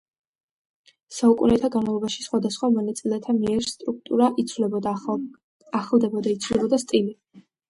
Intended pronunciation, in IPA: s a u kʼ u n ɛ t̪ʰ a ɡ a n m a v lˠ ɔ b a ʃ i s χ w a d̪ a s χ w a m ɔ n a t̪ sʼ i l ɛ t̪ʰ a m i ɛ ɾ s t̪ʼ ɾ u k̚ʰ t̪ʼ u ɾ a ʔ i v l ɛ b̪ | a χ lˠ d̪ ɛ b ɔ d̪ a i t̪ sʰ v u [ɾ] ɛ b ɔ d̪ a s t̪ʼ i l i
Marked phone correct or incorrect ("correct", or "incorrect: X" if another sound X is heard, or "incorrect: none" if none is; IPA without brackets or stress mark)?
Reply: incorrect: l